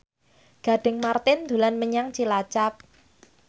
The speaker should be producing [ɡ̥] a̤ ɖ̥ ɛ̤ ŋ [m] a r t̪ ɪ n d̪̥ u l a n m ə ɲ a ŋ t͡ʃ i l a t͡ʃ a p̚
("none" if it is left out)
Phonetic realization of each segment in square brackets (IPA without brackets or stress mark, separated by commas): ɡ̥, m